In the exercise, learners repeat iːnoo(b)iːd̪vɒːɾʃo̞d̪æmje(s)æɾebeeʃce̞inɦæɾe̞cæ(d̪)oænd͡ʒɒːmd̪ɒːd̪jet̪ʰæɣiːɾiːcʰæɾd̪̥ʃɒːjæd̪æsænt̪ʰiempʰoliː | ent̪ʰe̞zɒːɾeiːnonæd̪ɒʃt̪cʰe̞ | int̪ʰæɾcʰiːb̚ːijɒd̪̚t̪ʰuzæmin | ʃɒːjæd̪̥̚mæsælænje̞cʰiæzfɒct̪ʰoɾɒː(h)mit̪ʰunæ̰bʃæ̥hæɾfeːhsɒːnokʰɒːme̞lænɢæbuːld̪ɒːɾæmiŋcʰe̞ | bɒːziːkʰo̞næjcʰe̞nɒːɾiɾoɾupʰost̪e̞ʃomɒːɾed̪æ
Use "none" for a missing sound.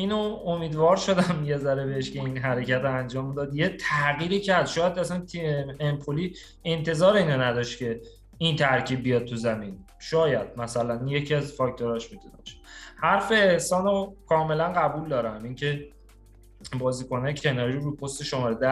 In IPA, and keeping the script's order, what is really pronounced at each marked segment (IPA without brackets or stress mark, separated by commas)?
m, z, t̪, ʃ